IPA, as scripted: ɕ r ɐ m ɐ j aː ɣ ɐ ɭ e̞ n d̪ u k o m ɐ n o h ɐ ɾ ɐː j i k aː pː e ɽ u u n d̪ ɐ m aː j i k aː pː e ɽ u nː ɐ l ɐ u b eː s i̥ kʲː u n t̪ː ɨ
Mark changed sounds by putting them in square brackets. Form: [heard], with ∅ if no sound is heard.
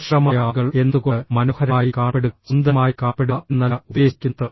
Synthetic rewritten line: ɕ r ɐ m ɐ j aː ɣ ɐ ɭ e̞ n d̪ u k o m ɐ n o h ɐ ɾ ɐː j i k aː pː e ɽ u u n d̪ ɐ m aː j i k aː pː e ɽ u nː ɐ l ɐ u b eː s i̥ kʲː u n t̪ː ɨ